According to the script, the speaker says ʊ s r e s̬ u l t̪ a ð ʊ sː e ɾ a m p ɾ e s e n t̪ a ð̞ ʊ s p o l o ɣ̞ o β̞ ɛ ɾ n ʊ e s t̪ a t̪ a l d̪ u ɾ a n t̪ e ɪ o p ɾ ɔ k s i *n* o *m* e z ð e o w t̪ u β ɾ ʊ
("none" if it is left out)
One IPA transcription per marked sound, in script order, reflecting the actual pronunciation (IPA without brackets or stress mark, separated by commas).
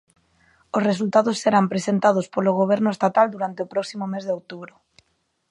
m, m